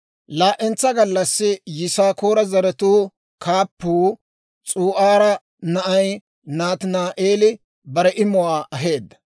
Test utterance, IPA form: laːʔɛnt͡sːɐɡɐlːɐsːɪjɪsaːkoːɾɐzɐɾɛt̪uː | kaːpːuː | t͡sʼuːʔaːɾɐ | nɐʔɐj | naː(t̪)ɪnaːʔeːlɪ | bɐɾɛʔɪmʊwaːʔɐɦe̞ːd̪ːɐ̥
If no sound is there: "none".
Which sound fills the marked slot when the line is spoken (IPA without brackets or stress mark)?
t̪